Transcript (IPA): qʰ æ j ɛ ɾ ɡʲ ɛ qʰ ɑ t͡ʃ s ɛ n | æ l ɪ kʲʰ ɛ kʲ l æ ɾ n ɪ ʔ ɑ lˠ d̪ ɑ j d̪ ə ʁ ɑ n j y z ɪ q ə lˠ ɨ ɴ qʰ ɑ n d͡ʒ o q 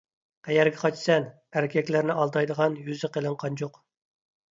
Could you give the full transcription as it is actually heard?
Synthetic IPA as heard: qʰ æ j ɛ ɾ ɡʲ ɛ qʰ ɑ t͡ʃ s ɛ n | æ ɾ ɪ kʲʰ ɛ kʲ l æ ɾ n ɪ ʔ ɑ lˠ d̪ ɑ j d̪ ə ʁ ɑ n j y z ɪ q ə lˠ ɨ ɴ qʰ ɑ n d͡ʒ o q